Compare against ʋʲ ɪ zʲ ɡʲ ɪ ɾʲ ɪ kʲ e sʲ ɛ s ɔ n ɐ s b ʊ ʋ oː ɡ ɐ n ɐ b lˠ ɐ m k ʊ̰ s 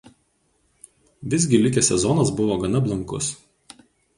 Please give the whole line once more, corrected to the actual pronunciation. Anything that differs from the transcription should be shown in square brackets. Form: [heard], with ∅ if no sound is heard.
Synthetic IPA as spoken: ʋʲ ɪ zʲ ɡʲ ɪ [lʲ] ɪ kʲ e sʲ ɛ [z] ɔ n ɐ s b ʊ ʋ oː ɡ ɐ n ɐ b lˠ ɐ [ŋ] k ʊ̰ s